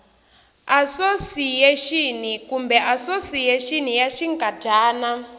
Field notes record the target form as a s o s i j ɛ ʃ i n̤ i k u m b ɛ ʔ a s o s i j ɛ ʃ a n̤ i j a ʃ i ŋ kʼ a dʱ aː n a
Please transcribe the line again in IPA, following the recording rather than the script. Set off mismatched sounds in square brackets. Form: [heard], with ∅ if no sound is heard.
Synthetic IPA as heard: a s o s i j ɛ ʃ i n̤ i k u m b ɛ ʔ a s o s i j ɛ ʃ [i] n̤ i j a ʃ i ŋ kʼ a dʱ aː n a